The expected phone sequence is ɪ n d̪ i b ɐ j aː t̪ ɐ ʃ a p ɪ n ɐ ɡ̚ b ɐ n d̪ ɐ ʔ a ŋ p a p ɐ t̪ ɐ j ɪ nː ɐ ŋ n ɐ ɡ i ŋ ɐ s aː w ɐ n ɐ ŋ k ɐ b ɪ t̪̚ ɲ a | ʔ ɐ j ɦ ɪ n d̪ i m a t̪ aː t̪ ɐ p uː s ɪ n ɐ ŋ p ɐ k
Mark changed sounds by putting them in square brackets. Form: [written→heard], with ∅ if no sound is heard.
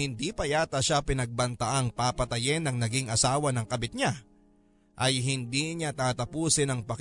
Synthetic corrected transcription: ɪ n d̪ i [b→p] ɐ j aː t̪ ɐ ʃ a p ɪ n ɐ ɡ̚ b ɐ n [d̪→t̪] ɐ ʔ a ŋ p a p ɐ t̪ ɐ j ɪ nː ɐ ŋ n ɐ ɡ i ŋ ɐ s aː w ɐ n ɐ ŋ k ɐ b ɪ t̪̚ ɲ a | ʔ ɐ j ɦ ɪ n d̪ i [m→ɲ] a t̪ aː t̪ ɐ p uː s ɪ n ɐ ŋ p ɐ k